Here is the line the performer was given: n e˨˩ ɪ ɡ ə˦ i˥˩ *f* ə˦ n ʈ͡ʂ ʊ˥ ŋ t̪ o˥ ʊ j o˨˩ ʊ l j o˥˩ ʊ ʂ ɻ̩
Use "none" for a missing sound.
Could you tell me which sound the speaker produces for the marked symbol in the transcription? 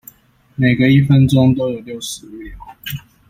f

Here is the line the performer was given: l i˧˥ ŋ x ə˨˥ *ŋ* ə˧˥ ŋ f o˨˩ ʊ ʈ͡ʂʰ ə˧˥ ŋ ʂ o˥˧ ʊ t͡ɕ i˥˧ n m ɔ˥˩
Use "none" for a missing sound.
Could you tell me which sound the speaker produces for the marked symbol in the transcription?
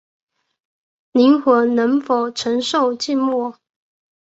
n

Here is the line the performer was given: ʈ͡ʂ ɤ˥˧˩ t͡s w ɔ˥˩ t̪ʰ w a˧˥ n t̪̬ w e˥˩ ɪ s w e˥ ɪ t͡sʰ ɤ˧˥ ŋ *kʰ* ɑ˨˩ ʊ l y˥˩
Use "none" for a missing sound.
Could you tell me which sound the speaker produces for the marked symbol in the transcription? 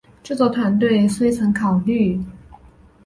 kʰ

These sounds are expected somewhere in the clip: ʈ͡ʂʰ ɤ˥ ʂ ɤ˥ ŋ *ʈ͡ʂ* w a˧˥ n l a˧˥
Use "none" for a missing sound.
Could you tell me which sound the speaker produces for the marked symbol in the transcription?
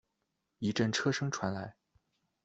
ʈ͡ʂʰ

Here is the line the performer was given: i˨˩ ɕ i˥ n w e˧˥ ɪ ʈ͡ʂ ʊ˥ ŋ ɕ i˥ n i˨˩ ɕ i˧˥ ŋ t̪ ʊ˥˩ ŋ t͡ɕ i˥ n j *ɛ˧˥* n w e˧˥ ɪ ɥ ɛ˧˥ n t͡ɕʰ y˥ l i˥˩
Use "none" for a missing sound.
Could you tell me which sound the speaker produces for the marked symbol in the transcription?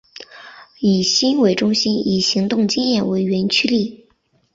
ɛ˥˩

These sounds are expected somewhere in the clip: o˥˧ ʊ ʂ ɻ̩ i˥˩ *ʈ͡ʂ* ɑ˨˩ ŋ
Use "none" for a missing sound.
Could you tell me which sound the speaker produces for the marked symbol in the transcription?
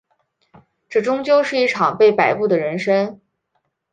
ʈ͡ʂʰ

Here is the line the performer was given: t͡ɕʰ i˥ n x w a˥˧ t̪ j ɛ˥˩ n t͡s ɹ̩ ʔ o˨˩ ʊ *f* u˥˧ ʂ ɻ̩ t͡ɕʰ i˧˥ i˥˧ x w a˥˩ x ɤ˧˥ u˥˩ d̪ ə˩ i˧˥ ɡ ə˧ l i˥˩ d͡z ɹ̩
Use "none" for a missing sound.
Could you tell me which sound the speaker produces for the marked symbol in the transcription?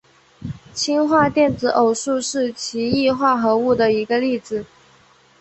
ʂ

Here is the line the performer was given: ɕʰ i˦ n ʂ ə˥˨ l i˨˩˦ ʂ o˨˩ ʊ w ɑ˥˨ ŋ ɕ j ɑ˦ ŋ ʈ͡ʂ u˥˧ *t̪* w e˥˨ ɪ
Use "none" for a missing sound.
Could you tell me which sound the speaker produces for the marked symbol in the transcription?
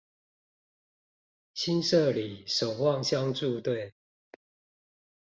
t̪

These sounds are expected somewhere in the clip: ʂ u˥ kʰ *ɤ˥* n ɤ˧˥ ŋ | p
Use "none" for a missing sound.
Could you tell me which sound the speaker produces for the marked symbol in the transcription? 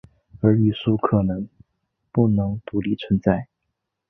ɤ˨˩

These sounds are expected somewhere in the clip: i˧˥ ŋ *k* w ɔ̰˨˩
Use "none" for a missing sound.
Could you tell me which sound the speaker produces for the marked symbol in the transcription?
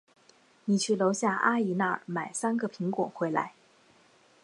k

